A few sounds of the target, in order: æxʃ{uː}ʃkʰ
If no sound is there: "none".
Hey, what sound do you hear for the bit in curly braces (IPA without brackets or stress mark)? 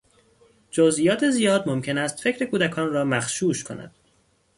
uː